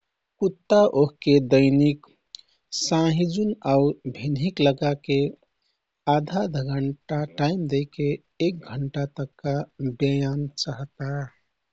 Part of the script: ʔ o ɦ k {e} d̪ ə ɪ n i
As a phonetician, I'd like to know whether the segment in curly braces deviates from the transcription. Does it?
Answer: no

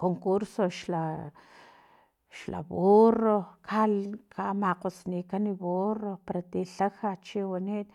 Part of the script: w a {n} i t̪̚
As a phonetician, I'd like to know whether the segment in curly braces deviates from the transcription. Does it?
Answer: no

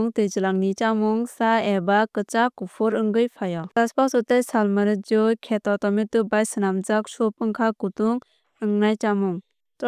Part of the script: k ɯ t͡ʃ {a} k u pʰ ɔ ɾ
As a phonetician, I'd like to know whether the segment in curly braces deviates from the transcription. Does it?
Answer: no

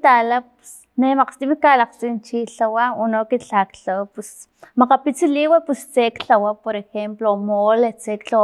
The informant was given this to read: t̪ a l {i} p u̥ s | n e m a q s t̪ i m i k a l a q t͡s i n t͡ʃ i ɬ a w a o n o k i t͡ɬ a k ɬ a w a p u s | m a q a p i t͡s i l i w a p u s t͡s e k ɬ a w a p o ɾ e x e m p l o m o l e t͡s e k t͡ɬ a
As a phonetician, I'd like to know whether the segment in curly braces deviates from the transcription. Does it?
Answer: yes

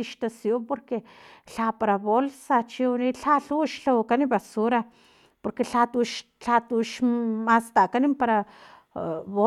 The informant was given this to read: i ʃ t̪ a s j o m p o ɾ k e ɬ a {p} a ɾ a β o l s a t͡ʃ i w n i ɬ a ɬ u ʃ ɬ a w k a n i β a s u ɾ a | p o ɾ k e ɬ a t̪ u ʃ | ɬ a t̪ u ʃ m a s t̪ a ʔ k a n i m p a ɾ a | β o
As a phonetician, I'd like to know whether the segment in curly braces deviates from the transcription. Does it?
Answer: no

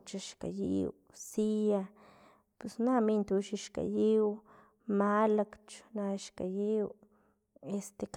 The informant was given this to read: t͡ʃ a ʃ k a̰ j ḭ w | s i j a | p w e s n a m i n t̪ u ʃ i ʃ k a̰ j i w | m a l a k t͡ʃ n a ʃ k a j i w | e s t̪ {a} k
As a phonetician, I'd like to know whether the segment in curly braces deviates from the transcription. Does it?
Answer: yes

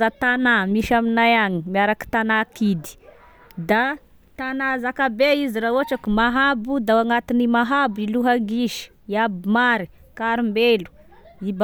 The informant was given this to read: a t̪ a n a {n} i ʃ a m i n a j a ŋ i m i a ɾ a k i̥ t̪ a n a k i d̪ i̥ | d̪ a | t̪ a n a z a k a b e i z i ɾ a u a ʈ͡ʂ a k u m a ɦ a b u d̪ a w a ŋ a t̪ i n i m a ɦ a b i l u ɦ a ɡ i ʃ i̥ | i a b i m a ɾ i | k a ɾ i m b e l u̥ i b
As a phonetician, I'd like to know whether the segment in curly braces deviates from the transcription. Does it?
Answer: yes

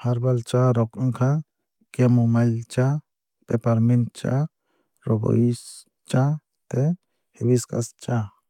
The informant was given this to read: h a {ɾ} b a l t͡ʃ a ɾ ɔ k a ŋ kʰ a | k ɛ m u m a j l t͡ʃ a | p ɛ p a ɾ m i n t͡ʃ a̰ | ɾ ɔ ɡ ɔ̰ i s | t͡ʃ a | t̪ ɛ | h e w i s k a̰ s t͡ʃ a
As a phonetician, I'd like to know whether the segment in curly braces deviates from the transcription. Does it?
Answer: no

